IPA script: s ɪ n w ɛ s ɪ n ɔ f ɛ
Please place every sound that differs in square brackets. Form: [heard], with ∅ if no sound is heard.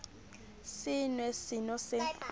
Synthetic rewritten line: s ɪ n w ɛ s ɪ n ɔ [s] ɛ